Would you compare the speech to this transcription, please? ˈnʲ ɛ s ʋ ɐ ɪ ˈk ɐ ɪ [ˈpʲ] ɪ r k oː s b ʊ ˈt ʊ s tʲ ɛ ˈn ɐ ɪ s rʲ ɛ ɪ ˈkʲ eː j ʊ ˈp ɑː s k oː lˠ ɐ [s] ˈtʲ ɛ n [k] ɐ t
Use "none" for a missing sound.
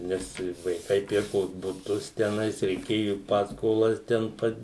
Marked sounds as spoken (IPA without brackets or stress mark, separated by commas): pʲ, s, p